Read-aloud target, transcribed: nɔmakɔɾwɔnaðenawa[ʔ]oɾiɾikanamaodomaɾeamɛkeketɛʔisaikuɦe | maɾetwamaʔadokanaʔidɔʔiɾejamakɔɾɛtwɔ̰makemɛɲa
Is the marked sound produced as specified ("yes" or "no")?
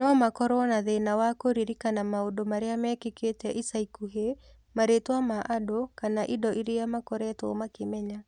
no